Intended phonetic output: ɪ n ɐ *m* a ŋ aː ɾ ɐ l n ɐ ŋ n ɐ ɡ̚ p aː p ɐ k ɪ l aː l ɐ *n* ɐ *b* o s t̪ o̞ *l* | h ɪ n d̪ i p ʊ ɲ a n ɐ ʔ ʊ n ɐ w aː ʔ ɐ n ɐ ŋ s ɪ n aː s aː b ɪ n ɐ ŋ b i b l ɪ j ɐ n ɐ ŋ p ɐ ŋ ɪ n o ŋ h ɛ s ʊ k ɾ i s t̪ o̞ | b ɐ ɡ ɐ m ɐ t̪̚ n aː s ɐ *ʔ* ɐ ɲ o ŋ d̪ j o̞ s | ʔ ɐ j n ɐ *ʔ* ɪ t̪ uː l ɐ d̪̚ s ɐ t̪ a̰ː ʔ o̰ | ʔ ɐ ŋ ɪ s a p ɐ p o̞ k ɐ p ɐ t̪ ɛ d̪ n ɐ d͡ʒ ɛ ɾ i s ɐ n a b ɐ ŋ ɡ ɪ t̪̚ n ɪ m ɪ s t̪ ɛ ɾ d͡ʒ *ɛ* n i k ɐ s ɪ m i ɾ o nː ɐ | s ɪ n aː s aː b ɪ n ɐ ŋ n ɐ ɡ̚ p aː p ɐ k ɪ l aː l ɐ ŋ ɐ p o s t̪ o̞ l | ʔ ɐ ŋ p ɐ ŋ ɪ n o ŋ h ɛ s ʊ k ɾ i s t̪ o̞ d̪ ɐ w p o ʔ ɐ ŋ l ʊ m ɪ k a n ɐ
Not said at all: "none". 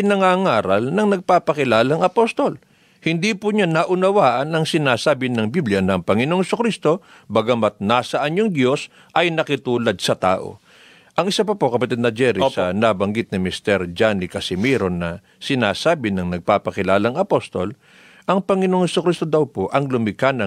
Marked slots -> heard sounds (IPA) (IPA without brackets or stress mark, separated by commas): ŋ, ŋ, p, l, ʔ, k, a